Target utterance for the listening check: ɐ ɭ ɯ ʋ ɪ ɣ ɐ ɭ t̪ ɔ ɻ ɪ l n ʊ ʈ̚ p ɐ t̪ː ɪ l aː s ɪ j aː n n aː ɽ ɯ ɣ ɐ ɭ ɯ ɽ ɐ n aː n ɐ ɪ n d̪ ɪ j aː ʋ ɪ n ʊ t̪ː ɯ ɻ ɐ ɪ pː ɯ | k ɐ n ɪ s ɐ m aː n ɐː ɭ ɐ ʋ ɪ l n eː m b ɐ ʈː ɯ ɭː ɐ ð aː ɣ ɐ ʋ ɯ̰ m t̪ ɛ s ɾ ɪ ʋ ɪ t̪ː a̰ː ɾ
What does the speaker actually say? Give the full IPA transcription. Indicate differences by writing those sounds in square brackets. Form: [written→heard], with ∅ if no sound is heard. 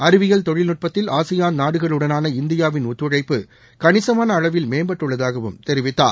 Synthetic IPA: ɐ [ɭ→ɾ] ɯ ʋ ɪ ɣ ɐ ɭ t̪ ɔ ɻ ɪ l n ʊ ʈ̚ p ɐ t̪ː ɪ l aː s ɪ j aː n n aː ɽ ɯ ɣ ɐ ɭ ɯ ɽ ɐ n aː n ɐ ɪ n d̪ ɪ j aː ʋ ɪ n ʊ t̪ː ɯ ɻ ɐ ɪ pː ɯ | k ɐ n ɪ s ɐ m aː n ɐː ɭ ɐ ʋ ɪ l [n→m] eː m b ɐ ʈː ɯ ɭː ɐ ð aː ɣ ɐ ʋ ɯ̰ m t̪ ɛ [s→∅] ɾ ɪ ʋ ɪ t̪ː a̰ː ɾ